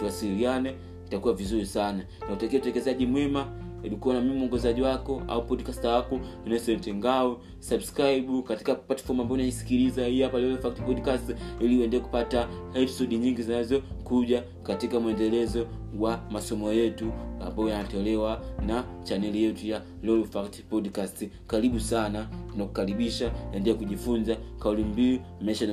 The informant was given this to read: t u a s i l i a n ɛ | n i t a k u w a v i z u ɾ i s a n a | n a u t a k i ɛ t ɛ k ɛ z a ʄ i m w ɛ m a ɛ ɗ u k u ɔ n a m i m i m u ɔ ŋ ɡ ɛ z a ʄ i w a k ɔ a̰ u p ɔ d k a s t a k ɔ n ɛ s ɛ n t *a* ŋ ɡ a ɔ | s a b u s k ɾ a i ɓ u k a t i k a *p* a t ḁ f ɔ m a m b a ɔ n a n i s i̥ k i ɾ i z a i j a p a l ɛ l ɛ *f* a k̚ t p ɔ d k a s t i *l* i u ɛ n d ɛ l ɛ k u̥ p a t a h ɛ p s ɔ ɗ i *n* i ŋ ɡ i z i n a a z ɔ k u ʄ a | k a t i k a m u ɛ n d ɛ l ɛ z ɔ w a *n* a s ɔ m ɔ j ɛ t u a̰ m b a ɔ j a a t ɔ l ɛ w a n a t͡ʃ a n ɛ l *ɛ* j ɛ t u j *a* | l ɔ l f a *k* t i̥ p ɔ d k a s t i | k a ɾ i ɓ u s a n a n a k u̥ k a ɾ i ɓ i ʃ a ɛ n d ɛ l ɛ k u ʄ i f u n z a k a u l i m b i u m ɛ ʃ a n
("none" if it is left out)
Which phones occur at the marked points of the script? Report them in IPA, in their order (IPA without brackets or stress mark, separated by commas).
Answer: ɛ, p, f, l, ɲ, m, i, a, k